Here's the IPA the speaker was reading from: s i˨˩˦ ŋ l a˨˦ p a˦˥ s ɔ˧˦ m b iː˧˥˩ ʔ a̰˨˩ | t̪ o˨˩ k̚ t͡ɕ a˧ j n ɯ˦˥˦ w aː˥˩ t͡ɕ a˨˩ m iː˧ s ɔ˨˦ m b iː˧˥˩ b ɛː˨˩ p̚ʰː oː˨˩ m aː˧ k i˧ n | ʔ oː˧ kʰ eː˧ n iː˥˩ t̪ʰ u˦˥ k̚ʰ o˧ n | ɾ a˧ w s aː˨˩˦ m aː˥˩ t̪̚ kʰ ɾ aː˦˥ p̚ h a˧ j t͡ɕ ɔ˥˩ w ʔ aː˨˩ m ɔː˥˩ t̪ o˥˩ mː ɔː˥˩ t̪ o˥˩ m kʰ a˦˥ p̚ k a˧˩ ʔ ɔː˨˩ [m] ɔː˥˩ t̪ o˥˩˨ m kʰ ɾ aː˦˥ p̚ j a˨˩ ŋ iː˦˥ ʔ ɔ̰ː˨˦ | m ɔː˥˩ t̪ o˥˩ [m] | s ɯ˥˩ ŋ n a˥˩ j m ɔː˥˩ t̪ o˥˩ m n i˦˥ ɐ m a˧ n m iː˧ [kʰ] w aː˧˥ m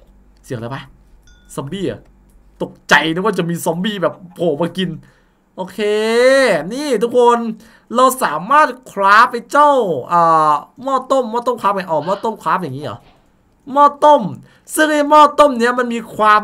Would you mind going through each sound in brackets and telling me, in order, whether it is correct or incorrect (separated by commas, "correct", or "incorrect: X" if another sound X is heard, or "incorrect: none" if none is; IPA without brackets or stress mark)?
correct, correct, correct